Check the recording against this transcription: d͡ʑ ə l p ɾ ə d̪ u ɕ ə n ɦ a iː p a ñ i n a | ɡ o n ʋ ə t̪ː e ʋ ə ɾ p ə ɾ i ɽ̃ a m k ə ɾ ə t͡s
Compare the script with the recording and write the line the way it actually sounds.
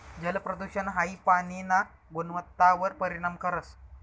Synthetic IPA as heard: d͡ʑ ə l p ɾ ə d̪ u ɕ ə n ɦ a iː p a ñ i n a | ɡ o n ʋ ə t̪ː a ʋ ə ɾ p ə ɾ i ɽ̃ a m k ə ɾ ə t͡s

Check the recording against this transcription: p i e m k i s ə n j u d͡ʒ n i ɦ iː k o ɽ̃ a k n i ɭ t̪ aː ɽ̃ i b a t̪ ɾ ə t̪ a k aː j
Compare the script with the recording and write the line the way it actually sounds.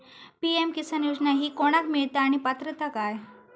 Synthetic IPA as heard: p i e m k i s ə n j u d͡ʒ n a ɦ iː k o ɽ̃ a k m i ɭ t̪ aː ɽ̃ i p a t̪ ɾ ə t̪ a k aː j

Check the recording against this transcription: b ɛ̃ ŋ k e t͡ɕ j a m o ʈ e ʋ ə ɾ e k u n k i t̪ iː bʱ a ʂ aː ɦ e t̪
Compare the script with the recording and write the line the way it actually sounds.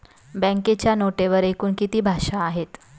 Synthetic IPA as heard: b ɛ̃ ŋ k e t͡ɕ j a n o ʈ e ʋ ə ɾ e k uː n k i t̪ iː bʱ a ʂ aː ɦ e t̪

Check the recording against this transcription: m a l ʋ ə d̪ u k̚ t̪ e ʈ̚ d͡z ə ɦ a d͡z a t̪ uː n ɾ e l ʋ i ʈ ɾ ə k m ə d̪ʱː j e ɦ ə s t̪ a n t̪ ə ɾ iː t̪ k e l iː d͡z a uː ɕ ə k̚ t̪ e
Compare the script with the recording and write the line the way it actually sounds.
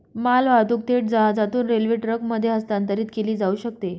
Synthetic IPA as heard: m a l ʋ a d̪ u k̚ t̪ e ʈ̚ d͡z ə ɦ a d͡z a t̪ uː n ɾ e l ʋ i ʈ ɾ ə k m ə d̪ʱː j e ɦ ə s t̪ a n t̪ ə ɾ iː t̪ k e l iː d͡z a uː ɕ ə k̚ t̪ e

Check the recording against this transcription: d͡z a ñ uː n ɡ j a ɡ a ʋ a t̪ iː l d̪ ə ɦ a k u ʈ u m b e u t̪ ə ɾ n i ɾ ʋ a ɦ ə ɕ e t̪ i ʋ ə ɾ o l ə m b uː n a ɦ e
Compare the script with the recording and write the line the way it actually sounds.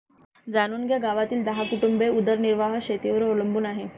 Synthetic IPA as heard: d͡z a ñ uː n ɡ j a ɡ a ʋ a t̪ iː l d̪ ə ɦ a k u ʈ u m b e u d̪ ə ɾ n i ɾ ʋ a ɦ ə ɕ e t̪ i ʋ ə ɾ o l ə m b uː n a ɦ e

